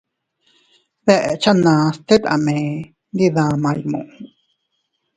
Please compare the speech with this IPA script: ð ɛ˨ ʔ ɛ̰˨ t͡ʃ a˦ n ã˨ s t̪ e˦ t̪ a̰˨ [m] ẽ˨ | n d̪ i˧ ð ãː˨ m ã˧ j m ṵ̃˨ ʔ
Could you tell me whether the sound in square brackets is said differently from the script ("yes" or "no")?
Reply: no